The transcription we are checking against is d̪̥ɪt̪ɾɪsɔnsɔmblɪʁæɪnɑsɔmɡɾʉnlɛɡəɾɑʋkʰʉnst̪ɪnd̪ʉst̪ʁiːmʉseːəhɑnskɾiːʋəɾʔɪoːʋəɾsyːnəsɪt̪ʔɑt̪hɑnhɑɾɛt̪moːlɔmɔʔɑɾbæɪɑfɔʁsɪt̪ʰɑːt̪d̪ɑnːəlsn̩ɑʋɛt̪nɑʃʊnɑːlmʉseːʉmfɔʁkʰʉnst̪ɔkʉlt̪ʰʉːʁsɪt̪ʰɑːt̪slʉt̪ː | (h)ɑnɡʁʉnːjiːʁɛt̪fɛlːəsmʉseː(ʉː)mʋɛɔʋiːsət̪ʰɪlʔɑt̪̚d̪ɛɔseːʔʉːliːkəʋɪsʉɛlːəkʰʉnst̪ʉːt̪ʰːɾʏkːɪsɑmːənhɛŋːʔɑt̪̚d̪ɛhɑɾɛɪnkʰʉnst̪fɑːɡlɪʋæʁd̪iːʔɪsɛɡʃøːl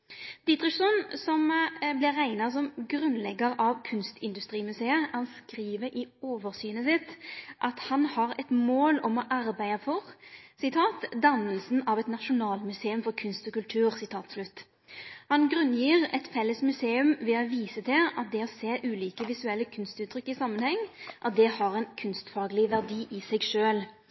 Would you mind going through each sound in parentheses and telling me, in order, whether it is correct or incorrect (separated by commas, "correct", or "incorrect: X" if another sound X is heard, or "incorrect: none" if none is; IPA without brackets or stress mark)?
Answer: correct, incorrect: ʉ